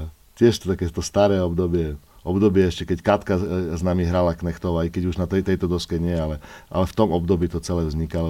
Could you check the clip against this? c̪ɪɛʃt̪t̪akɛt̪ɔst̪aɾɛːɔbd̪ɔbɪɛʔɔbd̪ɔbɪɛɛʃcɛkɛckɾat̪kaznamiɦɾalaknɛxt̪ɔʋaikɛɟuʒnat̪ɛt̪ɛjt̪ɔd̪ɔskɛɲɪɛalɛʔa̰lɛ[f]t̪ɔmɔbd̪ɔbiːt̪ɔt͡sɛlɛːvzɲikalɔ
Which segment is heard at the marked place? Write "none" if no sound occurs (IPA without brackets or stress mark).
f